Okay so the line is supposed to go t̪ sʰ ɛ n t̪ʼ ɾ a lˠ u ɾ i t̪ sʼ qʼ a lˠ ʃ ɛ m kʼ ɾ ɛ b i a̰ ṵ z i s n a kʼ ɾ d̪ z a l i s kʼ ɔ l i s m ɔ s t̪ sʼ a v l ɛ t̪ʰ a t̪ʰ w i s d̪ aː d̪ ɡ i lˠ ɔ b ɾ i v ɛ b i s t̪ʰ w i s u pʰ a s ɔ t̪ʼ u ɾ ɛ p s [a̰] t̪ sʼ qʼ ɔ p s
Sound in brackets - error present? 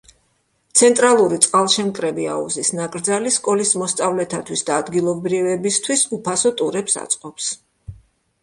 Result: no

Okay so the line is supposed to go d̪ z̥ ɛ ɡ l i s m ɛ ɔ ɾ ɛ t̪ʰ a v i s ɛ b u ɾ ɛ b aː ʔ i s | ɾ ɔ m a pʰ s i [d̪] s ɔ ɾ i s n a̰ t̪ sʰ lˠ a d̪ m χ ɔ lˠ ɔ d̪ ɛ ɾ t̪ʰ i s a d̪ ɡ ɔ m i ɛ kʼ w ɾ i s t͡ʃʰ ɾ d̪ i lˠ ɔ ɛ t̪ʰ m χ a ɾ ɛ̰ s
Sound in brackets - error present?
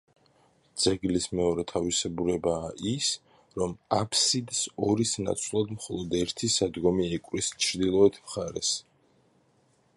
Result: no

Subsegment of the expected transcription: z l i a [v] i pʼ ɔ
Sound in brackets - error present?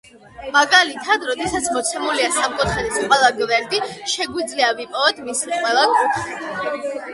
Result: no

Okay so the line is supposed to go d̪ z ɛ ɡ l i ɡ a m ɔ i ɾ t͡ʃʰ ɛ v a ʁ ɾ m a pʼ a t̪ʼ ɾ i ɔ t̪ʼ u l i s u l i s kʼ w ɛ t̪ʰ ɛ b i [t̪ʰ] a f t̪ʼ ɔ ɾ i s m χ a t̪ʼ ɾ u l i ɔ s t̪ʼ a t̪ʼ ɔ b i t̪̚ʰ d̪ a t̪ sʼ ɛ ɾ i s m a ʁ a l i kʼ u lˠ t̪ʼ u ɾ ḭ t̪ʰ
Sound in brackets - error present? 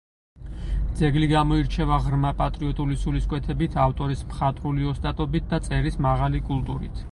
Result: no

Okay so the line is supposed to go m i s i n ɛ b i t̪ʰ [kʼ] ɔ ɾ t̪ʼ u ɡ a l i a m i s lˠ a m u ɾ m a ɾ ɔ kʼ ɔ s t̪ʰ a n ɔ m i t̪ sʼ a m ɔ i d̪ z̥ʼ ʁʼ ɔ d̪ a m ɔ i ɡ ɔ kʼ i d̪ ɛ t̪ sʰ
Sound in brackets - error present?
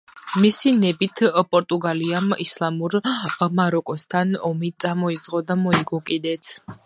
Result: yes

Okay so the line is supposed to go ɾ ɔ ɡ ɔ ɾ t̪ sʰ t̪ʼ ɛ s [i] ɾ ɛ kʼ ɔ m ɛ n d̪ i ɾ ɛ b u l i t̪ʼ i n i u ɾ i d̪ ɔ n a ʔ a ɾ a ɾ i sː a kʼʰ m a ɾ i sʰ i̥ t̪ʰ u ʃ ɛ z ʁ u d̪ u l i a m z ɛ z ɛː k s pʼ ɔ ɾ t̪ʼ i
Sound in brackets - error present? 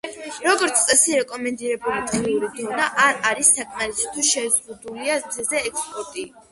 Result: no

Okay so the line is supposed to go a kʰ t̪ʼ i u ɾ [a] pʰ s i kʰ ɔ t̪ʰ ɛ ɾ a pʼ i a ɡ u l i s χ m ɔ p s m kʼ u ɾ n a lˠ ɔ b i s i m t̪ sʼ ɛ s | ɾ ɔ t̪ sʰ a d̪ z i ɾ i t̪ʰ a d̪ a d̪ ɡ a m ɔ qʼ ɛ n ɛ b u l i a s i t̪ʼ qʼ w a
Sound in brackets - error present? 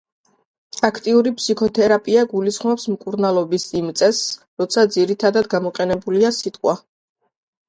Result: yes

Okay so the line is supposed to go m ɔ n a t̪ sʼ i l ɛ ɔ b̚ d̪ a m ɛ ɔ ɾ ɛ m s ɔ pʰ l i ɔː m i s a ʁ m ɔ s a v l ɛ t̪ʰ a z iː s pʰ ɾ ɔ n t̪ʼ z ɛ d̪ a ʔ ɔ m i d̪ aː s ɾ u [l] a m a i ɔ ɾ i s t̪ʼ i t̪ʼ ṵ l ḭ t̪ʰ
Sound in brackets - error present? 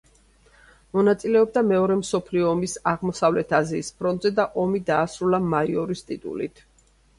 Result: no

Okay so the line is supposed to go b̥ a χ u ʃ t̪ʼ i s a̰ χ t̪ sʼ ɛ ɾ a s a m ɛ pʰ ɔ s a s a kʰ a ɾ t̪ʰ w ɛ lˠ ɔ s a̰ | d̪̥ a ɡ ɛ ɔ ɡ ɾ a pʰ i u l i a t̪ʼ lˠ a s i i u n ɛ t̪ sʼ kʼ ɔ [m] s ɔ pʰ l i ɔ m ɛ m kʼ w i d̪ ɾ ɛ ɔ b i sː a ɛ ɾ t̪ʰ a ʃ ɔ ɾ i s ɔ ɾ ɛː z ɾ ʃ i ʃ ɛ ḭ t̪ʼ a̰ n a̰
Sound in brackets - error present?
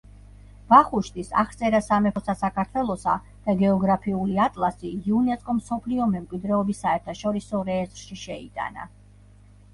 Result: no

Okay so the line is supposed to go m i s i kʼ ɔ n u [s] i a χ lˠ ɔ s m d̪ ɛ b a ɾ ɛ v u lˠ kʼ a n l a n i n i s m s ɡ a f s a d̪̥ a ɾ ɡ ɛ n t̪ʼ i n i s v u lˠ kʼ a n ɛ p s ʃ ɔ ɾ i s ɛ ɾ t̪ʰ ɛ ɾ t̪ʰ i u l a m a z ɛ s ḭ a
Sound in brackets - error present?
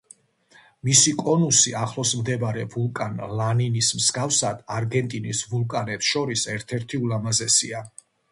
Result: no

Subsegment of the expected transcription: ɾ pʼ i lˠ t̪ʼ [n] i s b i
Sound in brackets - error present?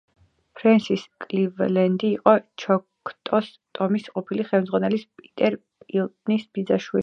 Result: no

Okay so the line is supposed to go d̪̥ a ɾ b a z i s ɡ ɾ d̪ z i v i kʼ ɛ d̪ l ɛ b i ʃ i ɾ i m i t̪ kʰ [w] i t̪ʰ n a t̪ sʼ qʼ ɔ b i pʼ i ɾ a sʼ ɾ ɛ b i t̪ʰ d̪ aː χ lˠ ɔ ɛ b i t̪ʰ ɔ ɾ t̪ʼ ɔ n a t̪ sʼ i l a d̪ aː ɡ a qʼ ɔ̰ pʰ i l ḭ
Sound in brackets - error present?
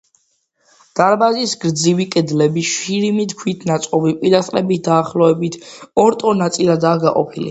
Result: no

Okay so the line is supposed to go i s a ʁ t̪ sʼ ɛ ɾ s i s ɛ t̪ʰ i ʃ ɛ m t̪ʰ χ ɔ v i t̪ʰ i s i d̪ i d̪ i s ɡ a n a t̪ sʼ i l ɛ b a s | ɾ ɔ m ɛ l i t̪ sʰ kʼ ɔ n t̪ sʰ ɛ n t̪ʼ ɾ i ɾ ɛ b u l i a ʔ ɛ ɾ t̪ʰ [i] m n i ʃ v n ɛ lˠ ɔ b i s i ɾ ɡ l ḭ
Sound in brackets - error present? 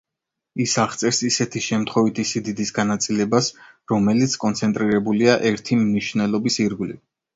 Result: no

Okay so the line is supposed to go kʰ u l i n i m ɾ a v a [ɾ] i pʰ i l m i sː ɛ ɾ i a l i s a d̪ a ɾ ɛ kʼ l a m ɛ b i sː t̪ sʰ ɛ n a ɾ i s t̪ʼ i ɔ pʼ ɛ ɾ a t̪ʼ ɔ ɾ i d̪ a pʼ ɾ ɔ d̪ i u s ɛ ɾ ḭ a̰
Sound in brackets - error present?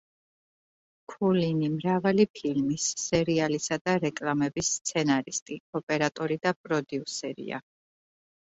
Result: yes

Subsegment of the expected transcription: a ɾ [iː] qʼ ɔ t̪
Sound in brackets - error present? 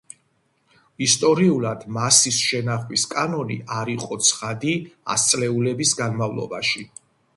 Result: yes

